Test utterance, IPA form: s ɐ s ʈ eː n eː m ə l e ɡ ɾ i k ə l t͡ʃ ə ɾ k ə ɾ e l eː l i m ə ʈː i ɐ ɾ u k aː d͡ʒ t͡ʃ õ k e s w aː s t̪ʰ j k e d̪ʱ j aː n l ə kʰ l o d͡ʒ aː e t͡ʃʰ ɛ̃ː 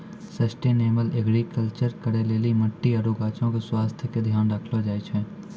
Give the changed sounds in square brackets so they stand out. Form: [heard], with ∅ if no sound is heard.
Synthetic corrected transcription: s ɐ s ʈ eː n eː m ə l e ɡ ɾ i k ə l t͡ʃ ə ɾ k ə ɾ e l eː l i m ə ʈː i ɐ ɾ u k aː [∅] t͡ʃ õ k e s w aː s t̪ʰ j k e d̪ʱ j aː n [ɾ] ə kʰ l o d͡ʒ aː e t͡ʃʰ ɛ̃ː